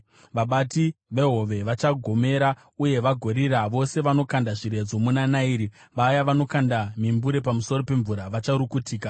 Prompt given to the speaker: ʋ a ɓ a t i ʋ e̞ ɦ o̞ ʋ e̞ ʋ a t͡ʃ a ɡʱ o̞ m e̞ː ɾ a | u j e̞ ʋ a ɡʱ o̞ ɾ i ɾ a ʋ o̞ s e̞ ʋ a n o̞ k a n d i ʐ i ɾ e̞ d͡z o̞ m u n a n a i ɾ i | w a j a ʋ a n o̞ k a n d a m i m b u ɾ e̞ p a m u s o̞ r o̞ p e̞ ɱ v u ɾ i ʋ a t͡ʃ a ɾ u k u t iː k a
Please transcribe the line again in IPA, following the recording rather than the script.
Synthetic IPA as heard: ʋ a ɓ a t i ʋ e̞ ɦ o̞ ʋ e̞ ʋ a t͡ʃ a ɡʱ o̞ m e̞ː ɾ a | u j e̞ ʋ a ɡʱ o̞ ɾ i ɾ a ʋ o̞ s e̞ ʋ a n o̞ k a n d a ʐ i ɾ e̞ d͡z o̞ m u n a n a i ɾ i | ʋ a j a ʋ a n o̞ k a n d a m i m b u ɾ e̞ p a m u s o̞ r o̞ p e̞ ɱ v u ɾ a ʋ a t͡ʃ a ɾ u k u t iː k a